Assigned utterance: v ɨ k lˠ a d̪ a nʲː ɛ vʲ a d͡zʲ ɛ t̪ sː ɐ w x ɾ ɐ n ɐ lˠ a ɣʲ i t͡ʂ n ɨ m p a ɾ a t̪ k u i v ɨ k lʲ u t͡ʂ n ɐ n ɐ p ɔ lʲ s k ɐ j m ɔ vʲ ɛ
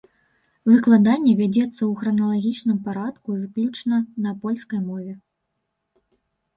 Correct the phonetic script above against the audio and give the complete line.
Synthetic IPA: v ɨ k lˠ a d̪ a nʲː ɛ vʲ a d͡zʲ ɛ t̪ sː ɐ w x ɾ ɐ n ɐ lˠ a ɣʲ i t͡ʂ n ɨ m p a ɾ a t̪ k u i v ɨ k lʲ u t͡ʂ n ɐ n ɐ p ɔ lʲ s k ɐ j m ɔ vʲ ɛ